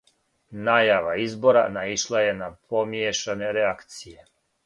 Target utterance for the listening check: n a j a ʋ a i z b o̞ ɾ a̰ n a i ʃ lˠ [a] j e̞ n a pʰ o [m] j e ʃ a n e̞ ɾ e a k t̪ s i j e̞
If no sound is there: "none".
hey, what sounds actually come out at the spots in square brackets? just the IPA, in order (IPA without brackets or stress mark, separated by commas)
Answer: a, m